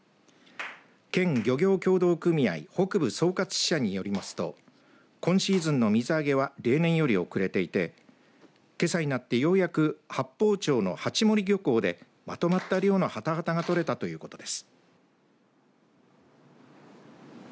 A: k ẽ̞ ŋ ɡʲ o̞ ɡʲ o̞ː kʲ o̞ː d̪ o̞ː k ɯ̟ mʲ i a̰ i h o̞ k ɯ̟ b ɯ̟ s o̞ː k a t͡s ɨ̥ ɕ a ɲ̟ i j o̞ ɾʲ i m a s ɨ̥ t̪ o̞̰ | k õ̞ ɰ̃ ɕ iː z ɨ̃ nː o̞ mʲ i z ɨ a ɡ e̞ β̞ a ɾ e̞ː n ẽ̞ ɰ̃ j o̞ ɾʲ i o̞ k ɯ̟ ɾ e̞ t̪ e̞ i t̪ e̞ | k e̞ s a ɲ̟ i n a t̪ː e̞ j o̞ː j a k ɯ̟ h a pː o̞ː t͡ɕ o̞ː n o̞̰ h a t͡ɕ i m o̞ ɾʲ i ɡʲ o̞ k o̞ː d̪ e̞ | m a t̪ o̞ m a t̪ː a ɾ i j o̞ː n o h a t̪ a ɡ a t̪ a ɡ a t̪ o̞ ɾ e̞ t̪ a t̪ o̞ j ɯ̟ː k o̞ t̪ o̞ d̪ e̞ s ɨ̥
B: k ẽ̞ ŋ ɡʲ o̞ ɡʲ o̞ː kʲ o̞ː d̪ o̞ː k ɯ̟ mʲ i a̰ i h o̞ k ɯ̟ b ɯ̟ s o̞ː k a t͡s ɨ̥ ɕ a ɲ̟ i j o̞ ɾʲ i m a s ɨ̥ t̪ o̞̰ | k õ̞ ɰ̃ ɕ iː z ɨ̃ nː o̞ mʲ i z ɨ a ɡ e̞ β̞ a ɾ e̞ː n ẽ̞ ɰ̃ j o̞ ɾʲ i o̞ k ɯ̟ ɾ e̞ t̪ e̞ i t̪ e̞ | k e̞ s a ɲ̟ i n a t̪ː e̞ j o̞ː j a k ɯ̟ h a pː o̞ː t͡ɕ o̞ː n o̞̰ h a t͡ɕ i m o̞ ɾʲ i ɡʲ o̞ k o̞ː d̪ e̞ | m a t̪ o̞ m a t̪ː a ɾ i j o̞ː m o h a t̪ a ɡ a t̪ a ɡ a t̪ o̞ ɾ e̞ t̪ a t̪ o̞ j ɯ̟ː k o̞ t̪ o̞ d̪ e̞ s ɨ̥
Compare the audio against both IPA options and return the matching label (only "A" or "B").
A